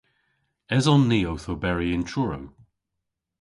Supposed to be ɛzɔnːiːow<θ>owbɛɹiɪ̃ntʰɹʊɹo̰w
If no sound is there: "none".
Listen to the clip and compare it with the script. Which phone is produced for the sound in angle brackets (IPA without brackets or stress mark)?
θ